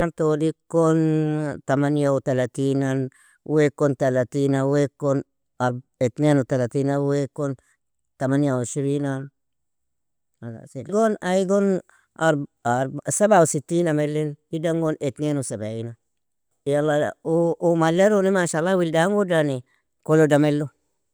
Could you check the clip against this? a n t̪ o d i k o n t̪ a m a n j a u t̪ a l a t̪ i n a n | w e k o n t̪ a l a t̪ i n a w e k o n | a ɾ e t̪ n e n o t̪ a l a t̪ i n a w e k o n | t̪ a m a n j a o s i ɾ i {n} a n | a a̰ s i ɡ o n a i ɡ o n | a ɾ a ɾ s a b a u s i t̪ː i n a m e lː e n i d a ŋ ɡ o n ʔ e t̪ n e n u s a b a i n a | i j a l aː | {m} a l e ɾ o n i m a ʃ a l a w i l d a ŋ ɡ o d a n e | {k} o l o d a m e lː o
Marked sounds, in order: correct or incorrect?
correct, correct, correct

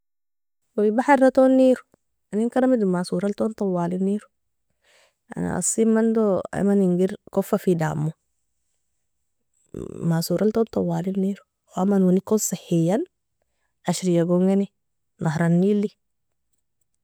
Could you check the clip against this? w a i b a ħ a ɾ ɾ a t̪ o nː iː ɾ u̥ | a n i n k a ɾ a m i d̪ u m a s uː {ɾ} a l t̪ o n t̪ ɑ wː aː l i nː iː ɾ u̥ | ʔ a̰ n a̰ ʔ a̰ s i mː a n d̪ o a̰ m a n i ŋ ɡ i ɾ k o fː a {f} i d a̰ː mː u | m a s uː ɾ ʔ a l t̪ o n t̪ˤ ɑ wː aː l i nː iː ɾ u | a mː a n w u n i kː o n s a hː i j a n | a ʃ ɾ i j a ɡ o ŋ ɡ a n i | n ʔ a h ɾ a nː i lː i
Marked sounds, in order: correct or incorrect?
correct, correct

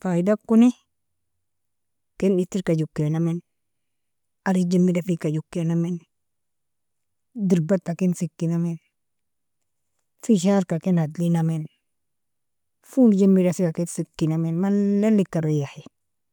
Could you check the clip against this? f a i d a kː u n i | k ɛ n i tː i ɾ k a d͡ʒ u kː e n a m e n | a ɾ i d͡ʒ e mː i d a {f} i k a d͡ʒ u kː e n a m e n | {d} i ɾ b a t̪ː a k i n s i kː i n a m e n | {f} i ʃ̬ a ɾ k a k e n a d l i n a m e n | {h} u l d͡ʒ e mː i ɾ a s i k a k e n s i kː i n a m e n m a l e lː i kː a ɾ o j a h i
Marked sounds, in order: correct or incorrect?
correct, correct, correct, incorrect: f

